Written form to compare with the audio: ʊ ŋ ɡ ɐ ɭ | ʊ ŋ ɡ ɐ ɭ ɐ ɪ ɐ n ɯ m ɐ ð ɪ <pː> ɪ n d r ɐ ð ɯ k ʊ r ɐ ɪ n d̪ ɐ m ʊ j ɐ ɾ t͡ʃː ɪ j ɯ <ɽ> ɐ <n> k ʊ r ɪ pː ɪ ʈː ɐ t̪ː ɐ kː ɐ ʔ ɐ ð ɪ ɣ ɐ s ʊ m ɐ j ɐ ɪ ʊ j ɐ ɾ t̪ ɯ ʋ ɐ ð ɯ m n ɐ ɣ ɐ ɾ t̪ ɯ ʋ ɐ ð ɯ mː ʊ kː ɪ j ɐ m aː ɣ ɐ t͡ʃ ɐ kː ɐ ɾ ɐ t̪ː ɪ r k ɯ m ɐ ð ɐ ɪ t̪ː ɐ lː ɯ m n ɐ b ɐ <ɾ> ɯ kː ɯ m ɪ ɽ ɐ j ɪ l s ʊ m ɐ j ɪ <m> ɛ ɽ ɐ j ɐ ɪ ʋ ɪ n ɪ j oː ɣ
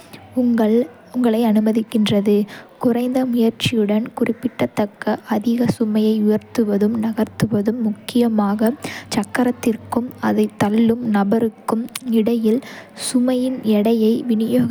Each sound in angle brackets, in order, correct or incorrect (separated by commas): incorrect, correct, correct, correct, incorrect